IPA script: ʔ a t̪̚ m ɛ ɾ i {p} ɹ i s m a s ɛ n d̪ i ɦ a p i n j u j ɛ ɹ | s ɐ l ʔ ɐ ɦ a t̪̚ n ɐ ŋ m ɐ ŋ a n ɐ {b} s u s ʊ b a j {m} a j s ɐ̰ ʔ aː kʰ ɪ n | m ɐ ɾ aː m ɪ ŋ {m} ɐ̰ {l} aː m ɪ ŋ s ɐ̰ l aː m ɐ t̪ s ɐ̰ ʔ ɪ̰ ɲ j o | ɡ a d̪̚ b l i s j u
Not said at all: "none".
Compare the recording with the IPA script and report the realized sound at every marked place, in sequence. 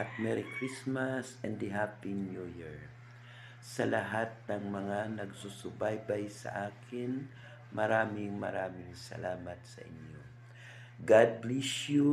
k, ɡ, b, m, ɾ

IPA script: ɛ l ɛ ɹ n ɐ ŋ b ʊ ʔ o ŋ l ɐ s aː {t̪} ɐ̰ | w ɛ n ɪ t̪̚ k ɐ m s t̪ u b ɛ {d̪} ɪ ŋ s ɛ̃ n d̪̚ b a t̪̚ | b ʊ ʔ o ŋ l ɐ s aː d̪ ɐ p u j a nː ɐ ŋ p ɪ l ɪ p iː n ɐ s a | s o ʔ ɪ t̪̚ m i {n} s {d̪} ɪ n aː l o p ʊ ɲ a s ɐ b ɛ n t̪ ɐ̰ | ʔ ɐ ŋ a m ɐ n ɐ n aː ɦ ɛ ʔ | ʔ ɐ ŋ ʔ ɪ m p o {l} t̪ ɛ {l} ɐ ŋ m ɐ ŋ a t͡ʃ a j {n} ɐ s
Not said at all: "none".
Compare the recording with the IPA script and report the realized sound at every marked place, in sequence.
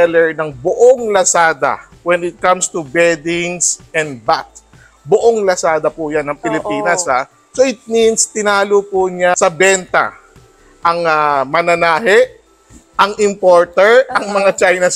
d̪, d̪, n, t̪, ɹ, ɹ, n

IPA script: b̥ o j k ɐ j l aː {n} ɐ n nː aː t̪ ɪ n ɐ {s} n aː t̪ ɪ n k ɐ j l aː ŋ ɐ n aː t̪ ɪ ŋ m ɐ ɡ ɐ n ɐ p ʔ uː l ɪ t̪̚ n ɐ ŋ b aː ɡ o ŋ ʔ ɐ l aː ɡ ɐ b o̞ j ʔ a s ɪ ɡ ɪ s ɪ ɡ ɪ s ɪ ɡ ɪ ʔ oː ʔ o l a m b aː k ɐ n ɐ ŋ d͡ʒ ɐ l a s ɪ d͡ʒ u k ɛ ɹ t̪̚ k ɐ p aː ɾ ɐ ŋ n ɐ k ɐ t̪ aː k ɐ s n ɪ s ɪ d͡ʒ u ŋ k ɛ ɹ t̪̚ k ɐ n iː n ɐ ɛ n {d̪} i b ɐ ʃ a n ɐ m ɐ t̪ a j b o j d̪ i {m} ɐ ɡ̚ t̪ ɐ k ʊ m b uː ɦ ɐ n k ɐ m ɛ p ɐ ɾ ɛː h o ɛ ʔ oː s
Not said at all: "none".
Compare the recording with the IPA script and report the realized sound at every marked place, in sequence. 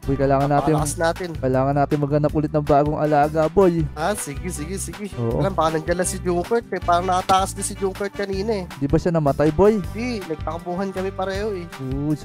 ŋ, s, d̪, n

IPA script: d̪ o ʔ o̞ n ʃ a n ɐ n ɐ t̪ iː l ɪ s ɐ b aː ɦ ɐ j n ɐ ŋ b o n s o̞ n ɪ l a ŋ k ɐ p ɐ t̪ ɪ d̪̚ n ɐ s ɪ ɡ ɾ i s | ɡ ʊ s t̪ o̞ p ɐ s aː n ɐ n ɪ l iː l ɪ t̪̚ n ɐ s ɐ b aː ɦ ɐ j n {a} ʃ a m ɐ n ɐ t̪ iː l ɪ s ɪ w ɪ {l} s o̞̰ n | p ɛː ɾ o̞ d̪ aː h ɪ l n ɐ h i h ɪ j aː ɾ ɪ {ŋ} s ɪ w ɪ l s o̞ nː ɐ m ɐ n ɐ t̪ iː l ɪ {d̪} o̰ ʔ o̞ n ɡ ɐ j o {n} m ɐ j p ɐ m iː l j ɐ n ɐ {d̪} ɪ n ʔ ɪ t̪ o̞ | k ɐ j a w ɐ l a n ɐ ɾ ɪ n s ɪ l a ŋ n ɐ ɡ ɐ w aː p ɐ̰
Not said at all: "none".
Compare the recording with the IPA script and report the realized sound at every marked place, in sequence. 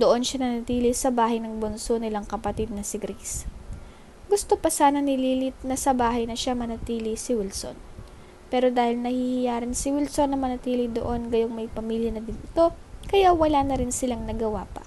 ɐ, l, n, d̪, ŋ, d̪

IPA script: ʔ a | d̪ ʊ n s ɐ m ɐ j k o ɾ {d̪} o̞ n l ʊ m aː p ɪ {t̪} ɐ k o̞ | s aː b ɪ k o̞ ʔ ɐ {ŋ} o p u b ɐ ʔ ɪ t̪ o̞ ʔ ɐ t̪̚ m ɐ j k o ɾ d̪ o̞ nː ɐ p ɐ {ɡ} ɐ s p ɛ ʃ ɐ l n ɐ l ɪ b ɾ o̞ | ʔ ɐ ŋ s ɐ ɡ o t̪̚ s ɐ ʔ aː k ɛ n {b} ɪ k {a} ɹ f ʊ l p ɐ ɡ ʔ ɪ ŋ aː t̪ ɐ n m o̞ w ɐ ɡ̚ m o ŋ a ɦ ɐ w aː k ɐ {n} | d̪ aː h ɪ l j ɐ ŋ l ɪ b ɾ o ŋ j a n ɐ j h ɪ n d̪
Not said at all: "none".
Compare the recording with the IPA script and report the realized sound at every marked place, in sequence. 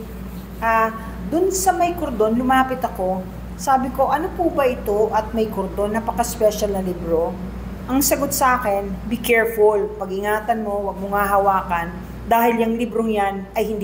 d̪, t̪, n, k, b, ɛ, n

